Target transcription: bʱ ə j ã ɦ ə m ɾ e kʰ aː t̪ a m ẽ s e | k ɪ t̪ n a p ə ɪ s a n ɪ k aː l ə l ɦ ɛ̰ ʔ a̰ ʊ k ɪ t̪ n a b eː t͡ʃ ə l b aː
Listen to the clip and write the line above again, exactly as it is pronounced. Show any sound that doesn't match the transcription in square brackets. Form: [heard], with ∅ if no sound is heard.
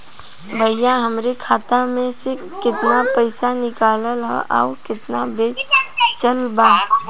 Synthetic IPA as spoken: bʱ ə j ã ɦ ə m ɾ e kʰ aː t̪ a m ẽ s e | k ɪ t̪ n a p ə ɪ s a n ɪ k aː l ə l ɦ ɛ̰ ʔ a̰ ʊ k ɪ t̪ n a b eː t͡ʃ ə l b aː